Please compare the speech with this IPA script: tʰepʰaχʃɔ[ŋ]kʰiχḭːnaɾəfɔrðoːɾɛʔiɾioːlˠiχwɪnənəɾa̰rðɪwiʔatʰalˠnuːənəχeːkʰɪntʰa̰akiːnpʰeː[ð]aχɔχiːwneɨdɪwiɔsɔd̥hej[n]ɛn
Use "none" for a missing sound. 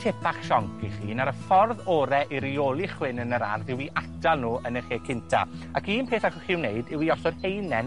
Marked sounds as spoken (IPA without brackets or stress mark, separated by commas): ŋ, θ, n